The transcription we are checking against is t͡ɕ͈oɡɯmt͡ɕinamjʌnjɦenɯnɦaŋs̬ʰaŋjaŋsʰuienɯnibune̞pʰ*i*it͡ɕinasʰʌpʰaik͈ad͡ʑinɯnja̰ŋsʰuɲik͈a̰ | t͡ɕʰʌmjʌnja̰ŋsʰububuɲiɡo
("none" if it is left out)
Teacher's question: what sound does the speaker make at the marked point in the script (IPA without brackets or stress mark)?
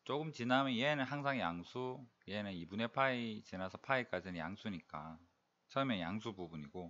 a